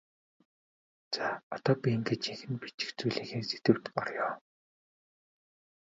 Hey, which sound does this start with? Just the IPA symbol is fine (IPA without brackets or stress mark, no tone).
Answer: t͡s